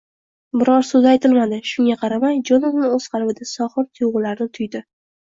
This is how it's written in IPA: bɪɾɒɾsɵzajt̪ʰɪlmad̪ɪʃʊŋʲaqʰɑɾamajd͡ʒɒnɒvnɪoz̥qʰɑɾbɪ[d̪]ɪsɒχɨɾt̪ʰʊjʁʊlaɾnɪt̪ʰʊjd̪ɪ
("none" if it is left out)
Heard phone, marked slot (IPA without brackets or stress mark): d̪